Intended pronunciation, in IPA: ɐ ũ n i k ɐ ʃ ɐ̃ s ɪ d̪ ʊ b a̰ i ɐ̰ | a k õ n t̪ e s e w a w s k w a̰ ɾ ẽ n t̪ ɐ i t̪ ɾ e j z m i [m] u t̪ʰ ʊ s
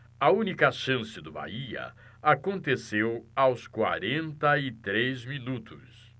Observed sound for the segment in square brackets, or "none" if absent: n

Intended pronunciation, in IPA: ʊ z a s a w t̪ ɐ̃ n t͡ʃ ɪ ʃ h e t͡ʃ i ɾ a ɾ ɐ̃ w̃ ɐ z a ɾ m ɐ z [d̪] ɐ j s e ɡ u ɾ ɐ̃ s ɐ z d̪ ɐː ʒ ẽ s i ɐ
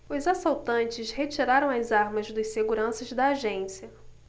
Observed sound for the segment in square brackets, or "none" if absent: d̪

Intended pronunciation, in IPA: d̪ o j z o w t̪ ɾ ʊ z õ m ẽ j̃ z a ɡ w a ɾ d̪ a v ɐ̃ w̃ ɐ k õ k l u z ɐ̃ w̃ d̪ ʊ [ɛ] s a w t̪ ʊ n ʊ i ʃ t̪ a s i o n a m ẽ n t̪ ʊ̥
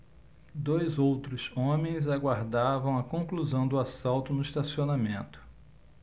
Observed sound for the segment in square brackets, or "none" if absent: a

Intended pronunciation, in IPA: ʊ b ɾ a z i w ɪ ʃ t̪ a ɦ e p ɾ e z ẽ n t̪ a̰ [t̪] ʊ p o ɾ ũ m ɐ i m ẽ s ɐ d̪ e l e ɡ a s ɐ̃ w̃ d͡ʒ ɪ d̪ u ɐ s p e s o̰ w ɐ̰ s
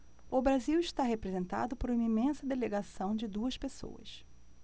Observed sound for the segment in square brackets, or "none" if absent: d̪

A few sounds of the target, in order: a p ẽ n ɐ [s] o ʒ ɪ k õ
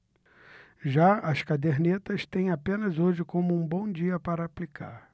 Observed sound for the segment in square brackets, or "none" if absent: z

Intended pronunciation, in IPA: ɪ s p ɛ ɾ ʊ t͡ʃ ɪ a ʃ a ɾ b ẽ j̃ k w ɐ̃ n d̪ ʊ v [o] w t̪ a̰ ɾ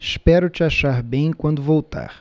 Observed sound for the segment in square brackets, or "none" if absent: o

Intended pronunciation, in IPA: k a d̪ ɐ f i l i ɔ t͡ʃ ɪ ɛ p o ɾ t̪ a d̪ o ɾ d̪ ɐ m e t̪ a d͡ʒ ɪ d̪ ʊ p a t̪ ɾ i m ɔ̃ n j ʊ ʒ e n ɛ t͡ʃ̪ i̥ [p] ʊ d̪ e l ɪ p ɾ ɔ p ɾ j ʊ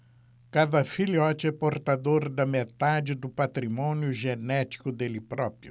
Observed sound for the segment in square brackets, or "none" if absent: k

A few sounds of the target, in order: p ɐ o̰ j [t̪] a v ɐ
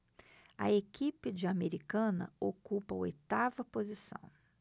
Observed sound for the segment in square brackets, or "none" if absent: t̪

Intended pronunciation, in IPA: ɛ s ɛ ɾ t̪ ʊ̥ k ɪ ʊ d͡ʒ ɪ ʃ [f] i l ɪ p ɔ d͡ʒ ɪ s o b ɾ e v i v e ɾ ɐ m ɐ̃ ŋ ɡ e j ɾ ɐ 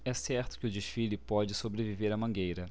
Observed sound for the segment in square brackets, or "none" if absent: f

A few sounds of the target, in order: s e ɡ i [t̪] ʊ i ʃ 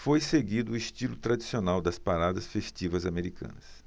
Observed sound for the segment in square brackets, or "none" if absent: d̪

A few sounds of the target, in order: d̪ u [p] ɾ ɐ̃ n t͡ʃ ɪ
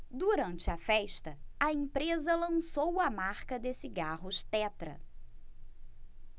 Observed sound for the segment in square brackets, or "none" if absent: none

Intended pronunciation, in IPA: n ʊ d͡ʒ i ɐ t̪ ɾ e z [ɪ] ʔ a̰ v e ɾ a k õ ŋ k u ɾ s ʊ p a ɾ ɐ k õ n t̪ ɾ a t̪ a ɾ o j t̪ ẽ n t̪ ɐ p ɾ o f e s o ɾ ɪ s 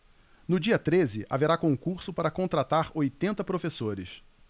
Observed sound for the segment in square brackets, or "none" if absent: ɪ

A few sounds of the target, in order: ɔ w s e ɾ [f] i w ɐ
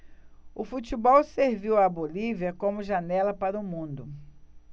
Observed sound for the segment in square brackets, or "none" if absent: v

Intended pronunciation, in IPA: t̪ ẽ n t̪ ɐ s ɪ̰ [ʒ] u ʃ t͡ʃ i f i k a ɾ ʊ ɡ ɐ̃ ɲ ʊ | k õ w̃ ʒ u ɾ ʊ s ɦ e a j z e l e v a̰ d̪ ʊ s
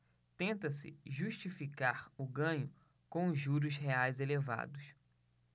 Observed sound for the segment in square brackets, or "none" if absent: ʒ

